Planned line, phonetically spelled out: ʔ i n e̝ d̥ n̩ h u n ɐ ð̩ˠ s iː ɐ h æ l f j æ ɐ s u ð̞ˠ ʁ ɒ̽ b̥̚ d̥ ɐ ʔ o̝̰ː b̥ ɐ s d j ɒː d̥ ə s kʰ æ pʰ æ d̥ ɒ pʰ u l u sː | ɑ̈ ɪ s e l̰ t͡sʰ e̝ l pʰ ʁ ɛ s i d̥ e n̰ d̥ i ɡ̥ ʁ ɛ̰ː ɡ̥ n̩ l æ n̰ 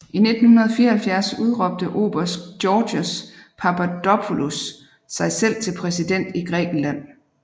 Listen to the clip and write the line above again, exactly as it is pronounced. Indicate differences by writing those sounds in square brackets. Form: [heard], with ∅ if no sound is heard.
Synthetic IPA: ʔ i n e̝ d̥ n̩ h u n ɐ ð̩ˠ [f] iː ɐ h æ l f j æ ɐ s u ð̞ˠ ʁ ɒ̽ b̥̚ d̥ [ə] ʔ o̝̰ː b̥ ɐ s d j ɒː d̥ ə s [pʰ] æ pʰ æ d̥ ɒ pʰ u l u sː | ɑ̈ ɪ s e l̰ t͡sʰ e̝ l pʰ ʁ ɛ s i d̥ e n̰ d̥ i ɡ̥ ʁ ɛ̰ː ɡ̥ n̩ l æ n̰